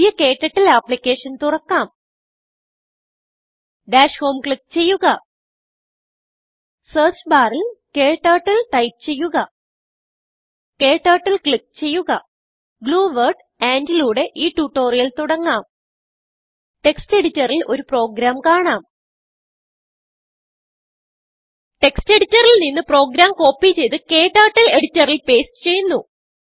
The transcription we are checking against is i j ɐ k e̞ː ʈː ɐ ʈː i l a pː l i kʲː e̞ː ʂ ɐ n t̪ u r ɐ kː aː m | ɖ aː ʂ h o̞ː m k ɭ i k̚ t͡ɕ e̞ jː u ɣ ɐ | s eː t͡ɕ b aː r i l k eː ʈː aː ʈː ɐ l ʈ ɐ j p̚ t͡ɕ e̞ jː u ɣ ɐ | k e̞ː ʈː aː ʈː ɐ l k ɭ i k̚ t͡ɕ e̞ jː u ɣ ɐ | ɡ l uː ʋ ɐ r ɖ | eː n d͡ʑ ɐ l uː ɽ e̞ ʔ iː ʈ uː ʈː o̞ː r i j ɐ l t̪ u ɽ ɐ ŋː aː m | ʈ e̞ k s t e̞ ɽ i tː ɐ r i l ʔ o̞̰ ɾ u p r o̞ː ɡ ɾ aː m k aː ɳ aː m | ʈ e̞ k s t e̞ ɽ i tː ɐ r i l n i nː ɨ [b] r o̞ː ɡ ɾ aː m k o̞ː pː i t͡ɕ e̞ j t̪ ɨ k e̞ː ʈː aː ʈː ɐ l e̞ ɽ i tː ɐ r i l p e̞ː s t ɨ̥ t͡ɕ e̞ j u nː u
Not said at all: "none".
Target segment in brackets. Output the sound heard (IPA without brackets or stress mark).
p